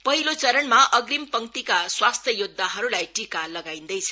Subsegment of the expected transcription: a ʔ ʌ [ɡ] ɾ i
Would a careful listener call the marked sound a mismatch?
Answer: no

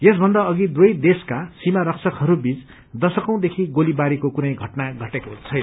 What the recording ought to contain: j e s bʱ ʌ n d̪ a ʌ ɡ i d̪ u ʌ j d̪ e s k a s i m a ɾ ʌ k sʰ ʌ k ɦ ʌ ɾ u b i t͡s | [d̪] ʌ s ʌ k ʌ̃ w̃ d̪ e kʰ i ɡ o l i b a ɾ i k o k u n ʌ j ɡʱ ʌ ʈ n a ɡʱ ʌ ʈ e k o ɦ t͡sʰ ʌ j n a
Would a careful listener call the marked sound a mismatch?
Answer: no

